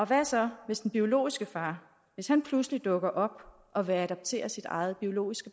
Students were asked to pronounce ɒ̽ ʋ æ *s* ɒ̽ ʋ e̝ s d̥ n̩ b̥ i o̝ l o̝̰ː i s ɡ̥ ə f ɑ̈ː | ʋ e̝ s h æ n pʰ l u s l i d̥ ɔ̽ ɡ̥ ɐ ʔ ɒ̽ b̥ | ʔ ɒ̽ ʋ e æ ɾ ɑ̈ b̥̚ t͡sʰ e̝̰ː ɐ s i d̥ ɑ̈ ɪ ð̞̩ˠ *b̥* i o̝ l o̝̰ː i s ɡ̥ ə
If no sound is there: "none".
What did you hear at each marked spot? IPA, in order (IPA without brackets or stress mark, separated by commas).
s, b̥